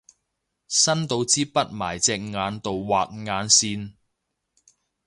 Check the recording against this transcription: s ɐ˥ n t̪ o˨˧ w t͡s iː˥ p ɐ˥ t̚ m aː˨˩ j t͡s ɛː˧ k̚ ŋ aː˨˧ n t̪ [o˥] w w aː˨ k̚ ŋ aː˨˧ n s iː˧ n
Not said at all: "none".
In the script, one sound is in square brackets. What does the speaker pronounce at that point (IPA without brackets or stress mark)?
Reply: o˨